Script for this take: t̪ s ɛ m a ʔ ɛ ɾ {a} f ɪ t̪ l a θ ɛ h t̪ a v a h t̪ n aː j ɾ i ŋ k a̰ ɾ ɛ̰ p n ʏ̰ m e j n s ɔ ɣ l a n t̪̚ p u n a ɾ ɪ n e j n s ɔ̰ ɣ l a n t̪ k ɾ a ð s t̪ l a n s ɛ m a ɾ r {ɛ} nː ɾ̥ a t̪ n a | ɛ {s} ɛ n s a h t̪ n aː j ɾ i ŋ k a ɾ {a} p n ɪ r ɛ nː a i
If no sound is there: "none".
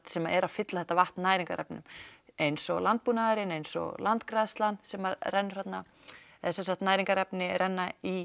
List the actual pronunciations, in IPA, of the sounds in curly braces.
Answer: a, ɛ, s, ɛ

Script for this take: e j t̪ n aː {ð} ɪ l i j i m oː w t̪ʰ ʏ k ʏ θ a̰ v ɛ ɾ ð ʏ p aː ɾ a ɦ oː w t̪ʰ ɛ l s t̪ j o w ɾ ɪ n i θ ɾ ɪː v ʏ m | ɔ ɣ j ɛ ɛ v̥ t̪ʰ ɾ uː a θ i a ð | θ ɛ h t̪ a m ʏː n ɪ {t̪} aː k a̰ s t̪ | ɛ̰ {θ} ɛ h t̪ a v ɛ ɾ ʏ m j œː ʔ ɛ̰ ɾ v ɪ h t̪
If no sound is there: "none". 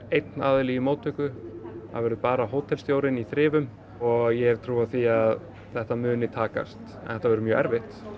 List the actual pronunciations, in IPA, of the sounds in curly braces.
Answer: ð, t̪ʰ, θ

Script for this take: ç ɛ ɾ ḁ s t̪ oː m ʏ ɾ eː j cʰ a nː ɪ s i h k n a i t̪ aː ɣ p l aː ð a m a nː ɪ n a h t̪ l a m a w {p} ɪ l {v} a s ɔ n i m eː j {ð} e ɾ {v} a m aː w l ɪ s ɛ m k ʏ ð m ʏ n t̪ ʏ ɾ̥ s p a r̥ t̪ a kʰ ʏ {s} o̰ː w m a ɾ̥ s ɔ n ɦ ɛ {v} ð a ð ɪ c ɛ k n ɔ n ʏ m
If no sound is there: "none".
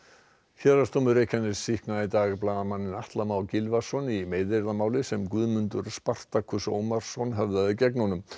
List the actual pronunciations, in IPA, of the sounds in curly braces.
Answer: c, v, ð, ð, s, v

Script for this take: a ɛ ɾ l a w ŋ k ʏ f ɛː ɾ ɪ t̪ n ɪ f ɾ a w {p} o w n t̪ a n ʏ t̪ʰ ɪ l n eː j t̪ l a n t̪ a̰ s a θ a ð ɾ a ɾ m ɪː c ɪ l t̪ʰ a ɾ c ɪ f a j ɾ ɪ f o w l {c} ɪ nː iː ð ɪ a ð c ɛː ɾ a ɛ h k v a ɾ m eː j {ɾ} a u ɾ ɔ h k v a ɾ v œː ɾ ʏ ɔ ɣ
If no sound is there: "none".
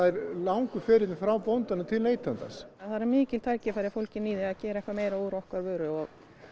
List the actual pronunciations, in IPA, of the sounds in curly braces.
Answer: p, c, ɾ

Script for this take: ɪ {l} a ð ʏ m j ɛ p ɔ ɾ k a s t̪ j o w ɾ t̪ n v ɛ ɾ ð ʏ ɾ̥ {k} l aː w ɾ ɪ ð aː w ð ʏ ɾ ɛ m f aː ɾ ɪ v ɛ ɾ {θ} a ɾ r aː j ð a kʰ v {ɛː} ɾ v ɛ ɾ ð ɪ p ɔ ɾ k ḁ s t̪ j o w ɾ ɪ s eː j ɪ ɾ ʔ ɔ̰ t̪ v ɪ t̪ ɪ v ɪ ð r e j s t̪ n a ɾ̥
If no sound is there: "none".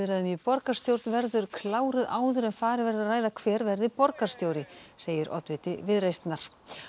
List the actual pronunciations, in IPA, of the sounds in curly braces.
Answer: ɾ, kʰ, ð, ɛː

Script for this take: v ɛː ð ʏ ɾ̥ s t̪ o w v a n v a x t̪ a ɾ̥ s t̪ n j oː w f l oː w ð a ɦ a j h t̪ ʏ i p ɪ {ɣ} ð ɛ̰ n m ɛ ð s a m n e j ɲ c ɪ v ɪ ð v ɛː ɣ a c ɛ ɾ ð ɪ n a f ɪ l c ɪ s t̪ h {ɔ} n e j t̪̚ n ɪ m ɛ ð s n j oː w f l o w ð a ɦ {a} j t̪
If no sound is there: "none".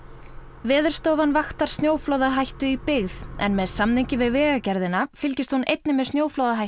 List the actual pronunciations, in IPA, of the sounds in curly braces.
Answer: ɣ, u, a

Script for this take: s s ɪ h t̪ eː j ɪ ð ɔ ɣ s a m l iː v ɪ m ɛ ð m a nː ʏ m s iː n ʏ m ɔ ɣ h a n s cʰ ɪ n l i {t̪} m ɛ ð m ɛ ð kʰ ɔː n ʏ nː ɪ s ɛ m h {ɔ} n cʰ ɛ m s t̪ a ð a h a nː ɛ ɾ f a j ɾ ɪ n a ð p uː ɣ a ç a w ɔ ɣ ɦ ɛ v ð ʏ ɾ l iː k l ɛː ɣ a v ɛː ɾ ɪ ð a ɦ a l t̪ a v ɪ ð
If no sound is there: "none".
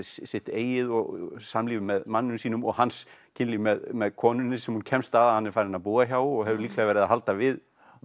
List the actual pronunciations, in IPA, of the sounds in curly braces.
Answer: none, u

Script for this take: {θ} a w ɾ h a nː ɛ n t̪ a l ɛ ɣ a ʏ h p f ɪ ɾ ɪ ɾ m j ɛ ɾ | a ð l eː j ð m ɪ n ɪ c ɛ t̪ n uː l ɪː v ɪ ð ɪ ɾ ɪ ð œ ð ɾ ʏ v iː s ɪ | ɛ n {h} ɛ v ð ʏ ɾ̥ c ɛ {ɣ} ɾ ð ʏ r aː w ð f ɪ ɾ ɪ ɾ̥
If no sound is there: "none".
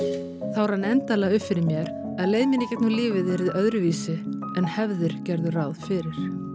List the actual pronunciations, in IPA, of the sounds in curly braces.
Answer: θ, h, none

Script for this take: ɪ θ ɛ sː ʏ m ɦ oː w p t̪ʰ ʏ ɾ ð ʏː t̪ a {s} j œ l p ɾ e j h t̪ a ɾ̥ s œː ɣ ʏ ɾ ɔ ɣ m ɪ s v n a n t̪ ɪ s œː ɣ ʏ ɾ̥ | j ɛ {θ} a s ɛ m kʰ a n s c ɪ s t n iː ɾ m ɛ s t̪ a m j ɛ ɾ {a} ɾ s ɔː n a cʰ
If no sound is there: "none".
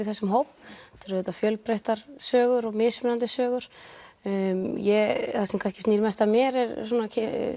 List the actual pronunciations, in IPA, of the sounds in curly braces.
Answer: f, θ, ɛ

